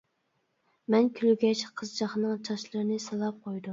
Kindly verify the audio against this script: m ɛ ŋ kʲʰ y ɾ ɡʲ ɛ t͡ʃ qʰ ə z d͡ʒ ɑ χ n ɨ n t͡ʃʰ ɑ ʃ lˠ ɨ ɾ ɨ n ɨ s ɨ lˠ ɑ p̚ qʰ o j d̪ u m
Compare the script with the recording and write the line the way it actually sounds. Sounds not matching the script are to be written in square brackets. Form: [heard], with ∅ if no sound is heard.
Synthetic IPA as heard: m ɛ [n] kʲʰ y [l] ɡʲ ɛ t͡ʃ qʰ ə z d͡ʒ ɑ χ n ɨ [ŋ] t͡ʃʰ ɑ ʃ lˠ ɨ ɾ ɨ n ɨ s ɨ lˠ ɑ p̚ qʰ o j d̪ u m

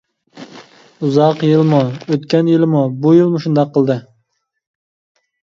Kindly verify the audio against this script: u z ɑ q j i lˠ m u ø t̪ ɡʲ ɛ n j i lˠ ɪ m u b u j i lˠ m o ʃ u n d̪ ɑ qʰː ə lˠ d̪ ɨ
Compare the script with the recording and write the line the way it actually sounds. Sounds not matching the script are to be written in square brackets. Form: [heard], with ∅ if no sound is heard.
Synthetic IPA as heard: u z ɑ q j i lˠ m u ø t̪ [kʲ] ɛ n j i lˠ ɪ m u b u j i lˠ m [u] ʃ u n d̪ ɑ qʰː ə lˠ d̪ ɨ

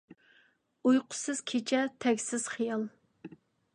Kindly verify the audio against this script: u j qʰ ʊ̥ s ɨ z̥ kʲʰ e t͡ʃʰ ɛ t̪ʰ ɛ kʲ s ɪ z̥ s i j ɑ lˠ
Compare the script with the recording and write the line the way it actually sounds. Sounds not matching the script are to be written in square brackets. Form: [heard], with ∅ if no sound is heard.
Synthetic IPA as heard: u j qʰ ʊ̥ s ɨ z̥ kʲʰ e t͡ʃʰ ɛ t̪ʰ ɛ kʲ s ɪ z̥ [χ] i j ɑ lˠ

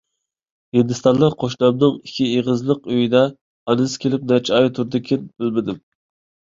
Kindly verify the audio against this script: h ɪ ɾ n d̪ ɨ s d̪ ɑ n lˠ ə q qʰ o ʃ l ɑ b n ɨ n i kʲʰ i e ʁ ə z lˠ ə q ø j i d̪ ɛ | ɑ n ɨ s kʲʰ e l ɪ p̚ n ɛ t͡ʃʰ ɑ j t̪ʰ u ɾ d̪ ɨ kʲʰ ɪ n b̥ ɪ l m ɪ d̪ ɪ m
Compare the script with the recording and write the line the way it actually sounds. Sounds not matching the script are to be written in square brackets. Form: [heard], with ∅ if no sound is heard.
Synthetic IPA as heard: h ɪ [∅] n d̪ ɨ s [t̪] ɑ n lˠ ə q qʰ o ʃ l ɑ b n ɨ [ŋ] i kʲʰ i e ʁ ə z lˠ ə q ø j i d̪ ɛ | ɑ n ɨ s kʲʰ e l ɪ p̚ n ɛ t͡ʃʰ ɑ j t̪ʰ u ɾ d̪ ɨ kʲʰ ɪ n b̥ ɪ l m ɪ d̪ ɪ m

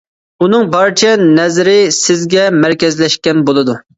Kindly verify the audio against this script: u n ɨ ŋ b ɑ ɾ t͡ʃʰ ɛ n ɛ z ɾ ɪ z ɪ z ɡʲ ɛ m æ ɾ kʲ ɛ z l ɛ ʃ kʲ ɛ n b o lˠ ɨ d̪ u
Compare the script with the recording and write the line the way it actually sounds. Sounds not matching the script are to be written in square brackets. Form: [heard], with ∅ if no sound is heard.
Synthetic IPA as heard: u n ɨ ŋ b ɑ ɾ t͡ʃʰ ɛ n ɛ z ɾ ɪ [s] ɪ z ɡʲ ɛ m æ ɾ kʲ ɛ z l ɛ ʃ kʲ ɛ n b o lˠ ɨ d̪ u

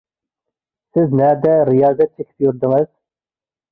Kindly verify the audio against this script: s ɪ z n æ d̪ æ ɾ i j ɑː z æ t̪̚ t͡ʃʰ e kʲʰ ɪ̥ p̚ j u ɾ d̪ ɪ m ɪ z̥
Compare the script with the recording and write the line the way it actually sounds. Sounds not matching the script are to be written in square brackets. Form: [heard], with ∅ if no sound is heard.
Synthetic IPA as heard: s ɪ z n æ d̪ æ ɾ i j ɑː z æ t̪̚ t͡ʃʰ e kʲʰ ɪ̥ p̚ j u ɾ d̪ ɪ [ŋ] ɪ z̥

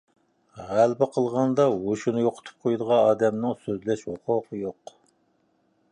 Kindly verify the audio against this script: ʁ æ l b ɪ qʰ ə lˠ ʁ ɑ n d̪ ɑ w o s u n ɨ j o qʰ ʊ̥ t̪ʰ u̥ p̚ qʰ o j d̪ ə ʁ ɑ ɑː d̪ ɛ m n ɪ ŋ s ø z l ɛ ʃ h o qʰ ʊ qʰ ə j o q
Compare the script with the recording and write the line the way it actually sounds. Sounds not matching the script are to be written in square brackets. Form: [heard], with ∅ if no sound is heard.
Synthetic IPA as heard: ʁ æ l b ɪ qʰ ə lˠ ʁ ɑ n d̪ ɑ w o [ʃ] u n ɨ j o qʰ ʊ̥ t̪ʰ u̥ p̚ qʰ o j d̪ ə ʁ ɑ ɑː d̪ ɛ m n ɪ ŋ s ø z l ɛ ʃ h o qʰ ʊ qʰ ə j o q

